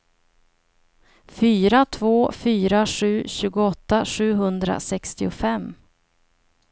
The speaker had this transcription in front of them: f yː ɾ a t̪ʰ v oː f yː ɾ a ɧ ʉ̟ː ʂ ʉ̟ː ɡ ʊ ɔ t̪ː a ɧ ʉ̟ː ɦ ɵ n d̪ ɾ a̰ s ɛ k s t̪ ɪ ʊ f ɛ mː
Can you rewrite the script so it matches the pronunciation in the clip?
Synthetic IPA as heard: f yː ɾ a t̪ʰ v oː f yː ɾ a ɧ ʉ̟ː ɕ ʉ̟ː ɡ ʊ ɔ t̪ː a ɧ ʉ̟ː ɦ ɵ n d̪ ɾ a̰ s ɛ k s t̪ ɪ ʊ f ɛ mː